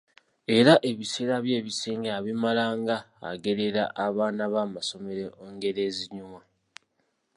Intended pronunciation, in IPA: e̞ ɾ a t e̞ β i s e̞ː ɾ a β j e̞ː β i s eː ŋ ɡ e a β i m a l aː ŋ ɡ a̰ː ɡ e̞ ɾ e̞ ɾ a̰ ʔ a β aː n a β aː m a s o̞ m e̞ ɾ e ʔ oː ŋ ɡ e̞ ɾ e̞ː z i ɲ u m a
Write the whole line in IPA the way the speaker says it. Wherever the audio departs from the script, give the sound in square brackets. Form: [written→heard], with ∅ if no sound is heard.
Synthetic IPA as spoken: e̞ ɾ a [t→ʔ] e̞ β i s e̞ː ɾ a β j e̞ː β i s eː ŋ ɡ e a β i m a l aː ŋ ɡ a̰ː ɡ e̞ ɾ e̞ ɾ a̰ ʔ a β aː n a β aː m a s o̞ m e̞ ɾ e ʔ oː ŋ ɡ e̞ ɾ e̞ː z i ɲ u m a